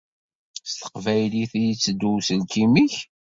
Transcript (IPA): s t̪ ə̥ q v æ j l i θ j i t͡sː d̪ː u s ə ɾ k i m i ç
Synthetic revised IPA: s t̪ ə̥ q v æ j l i θ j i t͡sː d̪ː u s ə l k i m i ç